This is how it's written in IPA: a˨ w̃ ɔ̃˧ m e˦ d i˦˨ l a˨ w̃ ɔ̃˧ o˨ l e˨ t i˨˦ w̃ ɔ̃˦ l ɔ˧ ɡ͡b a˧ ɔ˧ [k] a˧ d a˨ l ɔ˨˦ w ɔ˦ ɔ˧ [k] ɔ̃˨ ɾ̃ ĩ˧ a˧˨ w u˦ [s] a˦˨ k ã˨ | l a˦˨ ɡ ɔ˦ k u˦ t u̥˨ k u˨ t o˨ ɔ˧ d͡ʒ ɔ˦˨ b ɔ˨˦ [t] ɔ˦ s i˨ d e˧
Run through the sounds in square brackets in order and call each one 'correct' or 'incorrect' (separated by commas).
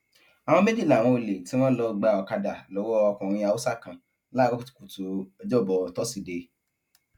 correct, correct, correct, correct